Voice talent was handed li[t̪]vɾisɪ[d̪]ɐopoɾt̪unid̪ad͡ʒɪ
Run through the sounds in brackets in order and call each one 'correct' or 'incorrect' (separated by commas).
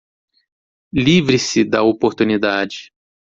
incorrect, correct